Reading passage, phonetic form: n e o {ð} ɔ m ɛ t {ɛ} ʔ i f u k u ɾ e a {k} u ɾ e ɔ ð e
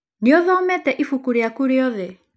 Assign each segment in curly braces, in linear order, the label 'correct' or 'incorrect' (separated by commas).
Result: correct, correct, correct